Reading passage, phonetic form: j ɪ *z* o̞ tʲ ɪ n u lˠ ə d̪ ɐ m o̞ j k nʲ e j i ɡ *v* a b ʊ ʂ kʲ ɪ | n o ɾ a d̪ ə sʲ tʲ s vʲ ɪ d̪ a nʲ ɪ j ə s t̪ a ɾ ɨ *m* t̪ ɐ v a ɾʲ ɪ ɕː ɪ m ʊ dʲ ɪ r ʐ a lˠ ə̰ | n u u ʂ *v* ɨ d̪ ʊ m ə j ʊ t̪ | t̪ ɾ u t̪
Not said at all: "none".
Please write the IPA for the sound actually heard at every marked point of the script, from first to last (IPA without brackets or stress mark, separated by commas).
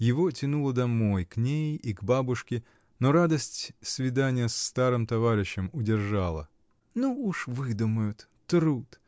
v, b, m, v